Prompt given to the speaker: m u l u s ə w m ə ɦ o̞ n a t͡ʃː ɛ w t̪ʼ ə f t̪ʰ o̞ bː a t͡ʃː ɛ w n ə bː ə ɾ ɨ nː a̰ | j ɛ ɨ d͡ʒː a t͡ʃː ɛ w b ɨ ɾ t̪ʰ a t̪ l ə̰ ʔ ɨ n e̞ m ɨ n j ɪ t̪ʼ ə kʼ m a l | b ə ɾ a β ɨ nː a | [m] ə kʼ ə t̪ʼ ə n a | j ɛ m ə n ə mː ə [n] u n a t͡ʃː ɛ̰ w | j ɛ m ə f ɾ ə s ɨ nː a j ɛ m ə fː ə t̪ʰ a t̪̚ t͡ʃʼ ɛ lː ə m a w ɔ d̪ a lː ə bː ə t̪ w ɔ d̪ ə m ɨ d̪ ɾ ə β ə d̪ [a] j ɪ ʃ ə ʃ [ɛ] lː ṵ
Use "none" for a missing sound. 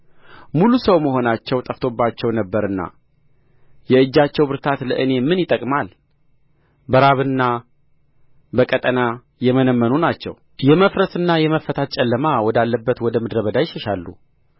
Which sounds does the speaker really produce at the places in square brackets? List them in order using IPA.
b, n, a, a

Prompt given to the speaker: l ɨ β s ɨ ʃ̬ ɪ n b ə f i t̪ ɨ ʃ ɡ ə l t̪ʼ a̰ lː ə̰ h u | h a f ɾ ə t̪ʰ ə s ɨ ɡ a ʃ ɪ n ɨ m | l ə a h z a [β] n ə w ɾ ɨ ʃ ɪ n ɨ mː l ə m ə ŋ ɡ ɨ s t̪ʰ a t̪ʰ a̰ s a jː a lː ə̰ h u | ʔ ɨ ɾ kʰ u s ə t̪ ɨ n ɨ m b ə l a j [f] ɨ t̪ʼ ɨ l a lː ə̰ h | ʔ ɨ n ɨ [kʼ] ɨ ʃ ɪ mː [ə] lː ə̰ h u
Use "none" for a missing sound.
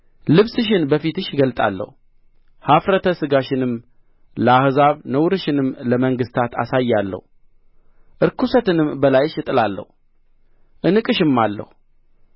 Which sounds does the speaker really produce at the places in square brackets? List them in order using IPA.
β, ʃ, kʼ, a

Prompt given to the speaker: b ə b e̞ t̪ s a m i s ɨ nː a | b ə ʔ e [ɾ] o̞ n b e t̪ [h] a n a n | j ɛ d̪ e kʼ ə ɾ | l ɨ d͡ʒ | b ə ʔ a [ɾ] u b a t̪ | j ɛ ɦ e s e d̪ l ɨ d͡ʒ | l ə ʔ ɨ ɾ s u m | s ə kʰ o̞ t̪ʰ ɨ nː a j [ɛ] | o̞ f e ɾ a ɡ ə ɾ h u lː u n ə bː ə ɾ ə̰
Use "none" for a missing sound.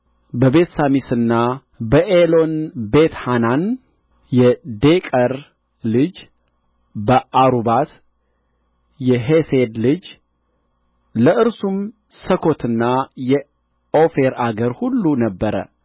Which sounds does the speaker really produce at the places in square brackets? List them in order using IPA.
l, h, ɾ, ɛ

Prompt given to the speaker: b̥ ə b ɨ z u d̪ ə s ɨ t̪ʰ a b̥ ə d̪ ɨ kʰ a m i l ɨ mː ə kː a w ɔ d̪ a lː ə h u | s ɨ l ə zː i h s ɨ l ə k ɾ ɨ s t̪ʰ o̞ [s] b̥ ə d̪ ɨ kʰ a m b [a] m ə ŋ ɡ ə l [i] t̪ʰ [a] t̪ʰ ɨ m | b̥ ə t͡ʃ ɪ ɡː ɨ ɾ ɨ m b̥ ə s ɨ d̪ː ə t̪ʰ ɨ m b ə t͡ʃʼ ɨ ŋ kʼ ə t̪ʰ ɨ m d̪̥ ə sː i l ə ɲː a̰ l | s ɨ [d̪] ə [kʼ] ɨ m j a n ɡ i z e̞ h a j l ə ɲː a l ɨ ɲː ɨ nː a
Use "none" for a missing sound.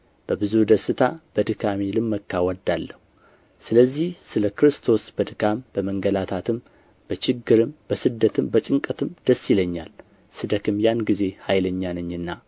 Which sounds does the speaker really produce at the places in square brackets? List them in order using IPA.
s, ə, a, a, d̪, k

